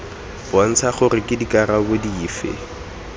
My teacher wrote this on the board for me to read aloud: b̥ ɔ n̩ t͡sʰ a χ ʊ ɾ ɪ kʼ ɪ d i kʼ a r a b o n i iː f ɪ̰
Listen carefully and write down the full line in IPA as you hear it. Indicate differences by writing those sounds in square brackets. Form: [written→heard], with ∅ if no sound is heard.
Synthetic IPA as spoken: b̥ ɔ n̩ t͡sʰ a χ ʊ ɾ ɪ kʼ ɪ d i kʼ a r a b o [n→d] i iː f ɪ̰